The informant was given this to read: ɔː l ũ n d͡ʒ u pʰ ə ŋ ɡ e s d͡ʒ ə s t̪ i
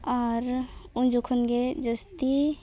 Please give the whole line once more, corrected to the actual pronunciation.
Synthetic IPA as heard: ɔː ɾ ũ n d͡ʒ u kʰ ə n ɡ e d͡ʒ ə s t̪ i

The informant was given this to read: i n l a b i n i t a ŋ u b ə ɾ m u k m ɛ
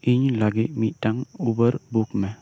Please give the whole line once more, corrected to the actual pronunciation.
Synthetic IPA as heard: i ɲ l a ɡ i m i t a ŋ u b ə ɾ b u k m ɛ

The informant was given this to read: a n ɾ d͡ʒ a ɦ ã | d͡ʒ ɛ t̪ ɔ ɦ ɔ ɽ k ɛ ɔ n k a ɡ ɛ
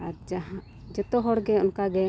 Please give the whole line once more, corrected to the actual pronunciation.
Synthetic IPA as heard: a ɾ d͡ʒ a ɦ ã | d͡ʒ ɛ t̪ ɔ ɦ ɔ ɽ ɡ ɛ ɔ n k a ɡ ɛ

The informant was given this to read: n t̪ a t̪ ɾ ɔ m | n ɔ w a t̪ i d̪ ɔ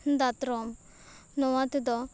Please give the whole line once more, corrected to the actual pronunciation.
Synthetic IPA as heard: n d̪ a t̪ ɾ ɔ m | n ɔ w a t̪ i d̪ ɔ

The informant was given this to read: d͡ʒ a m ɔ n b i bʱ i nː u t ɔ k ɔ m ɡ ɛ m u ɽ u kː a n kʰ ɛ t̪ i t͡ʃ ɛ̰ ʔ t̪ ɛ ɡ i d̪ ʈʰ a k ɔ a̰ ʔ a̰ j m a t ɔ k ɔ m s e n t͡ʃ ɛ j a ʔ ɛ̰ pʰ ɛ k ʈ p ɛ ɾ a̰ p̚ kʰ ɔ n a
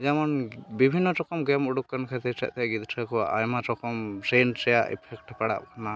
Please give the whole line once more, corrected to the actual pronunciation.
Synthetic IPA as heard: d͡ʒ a m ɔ n b i bʱ i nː ɔ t ɔ k ɔ m ɡ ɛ m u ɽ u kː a n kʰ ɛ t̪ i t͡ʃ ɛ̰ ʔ t̪ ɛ ɡ i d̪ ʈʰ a k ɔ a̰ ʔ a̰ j m a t ɔ k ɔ m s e n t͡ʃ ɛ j a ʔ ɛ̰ pʰ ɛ k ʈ p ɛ ɽ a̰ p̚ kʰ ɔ n a

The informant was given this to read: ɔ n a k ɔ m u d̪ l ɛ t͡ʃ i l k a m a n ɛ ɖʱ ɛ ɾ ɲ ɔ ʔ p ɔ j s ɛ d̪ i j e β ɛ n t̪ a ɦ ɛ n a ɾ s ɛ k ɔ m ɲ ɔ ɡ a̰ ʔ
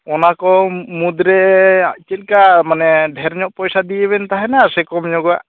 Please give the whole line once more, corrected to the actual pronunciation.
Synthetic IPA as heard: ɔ n a k ɔ m u d̪ ɾ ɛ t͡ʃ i l k a m a n ɛ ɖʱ ɛ ɾ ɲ ɔ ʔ p ɔ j s a d̪ i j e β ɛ n t̪ a ɦ ɛ n a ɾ s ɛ k ɔ m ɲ ɔ ɡ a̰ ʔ

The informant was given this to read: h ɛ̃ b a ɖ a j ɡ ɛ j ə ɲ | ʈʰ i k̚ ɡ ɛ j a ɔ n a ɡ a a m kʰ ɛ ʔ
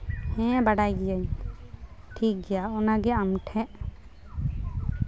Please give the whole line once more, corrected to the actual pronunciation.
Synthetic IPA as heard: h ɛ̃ b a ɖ a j ɡ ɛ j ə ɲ | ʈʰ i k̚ ɡ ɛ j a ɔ n a ɡ ɛ a m ʈʰ ɛ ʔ

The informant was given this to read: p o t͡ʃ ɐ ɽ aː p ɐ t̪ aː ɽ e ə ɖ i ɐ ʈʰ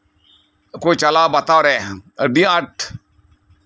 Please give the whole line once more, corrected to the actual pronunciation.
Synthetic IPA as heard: k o t͡ʃ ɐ l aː b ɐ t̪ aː ɾ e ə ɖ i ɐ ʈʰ

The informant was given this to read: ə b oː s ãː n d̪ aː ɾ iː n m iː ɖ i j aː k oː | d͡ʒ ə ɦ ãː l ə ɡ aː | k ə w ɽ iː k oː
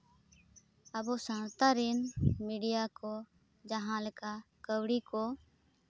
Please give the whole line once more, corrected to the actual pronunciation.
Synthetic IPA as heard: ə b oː s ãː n t̪ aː ɾ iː n m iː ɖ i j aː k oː | d͡ʒ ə ɦ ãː l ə k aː | k ə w ɽ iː k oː

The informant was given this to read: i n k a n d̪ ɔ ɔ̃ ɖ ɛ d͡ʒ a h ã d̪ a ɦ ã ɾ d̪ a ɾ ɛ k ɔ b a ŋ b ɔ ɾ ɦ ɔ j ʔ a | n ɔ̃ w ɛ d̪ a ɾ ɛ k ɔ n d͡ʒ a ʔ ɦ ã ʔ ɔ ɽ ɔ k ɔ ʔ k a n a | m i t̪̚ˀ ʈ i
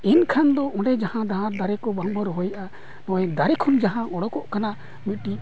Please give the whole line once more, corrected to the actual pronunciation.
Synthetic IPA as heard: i n kʰ a n d̪ ɔ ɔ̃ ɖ ɛ d͡ʒ a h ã d̪ a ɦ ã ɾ d̪ a ɾ ɛ k ɔ b a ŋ b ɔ ɾ ɦ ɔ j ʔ a | n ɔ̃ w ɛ d̪ a ɾ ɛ kʰ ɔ n d͡ʒ a ɦ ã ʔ ɔ ɽ ɔ k ɔ ʔ k a n a | m i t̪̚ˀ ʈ i

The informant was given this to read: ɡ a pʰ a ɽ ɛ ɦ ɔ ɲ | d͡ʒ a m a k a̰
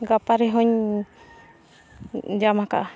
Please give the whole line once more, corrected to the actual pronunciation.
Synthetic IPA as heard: ɡ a p a ɾ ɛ ɦ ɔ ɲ | d͡ʒ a m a k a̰

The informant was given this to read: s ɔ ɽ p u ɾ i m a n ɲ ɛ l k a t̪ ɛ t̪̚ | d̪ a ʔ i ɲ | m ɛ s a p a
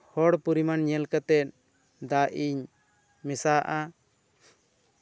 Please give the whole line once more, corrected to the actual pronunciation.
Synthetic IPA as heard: h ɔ ɽ p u ɾ i m a n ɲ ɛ l k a t̪ ɛ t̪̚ | d̪ a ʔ i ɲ | m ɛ s a ʔ a

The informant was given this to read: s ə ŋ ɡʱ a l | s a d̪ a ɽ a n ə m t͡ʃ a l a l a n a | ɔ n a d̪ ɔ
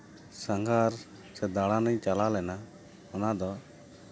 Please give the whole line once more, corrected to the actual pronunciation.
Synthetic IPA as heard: s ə ŋ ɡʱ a ɾ | s ɛ d̪ a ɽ a n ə ɲ t͡ʃ a l a l ɛ n a | ɔ n a d̪ ɔ

